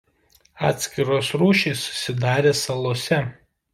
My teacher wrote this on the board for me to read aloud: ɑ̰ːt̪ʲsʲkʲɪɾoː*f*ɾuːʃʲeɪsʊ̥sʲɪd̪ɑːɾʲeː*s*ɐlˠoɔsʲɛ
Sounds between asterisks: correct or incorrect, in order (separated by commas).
incorrect, correct